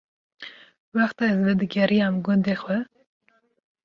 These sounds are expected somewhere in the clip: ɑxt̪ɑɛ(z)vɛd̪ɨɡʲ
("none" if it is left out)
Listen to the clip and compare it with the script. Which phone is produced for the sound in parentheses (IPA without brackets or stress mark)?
z